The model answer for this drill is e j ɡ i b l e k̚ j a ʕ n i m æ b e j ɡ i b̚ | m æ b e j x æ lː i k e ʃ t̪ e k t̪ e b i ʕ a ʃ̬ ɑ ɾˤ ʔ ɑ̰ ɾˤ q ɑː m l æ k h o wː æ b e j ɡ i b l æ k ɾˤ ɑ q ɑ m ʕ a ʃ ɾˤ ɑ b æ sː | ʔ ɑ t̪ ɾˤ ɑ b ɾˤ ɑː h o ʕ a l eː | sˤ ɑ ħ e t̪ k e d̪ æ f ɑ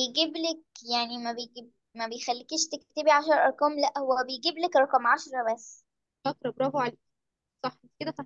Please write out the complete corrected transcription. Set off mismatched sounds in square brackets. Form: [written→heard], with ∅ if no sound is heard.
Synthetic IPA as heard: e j ɡ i b l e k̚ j a ʕ n i m æ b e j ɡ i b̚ | m æ b e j x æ lː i k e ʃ t̪ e k t̪ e b i ʕ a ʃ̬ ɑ ɾˤ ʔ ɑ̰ ɾˤ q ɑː m l æ [k→ʔ] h o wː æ b e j ɡ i b l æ k ɾˤ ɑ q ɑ m ʕ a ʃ ɾˤ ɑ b æ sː | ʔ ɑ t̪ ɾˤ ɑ b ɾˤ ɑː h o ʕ a l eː | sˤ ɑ ħ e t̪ k e d̪ æ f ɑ